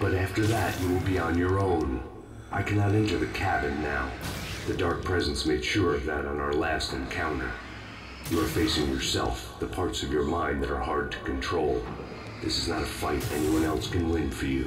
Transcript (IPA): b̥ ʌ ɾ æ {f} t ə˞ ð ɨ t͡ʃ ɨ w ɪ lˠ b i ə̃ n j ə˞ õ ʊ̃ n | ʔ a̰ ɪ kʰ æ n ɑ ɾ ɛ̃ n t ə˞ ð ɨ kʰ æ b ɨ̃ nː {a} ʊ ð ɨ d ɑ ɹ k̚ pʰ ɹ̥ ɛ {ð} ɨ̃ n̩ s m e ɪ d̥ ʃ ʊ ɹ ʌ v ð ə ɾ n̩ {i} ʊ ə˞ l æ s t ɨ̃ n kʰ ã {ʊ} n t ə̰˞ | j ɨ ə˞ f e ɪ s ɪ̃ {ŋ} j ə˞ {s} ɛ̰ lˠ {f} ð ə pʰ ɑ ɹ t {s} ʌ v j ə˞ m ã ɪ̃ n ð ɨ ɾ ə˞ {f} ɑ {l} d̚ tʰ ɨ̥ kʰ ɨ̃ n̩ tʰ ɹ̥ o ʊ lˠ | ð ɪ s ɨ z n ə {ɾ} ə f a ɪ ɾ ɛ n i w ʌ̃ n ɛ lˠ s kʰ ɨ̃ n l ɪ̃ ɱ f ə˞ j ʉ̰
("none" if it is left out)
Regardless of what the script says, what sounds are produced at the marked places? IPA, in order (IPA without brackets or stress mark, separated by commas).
f, a, z, a, ʊ̃, ŋ, s, f, s, h, ɹ, ɾ